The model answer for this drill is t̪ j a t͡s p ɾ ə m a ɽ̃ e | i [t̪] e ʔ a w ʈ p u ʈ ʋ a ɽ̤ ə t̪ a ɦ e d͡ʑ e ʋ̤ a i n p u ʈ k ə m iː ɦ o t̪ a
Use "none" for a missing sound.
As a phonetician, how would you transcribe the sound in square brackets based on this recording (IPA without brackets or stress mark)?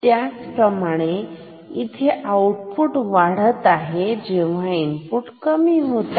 t̪ʰ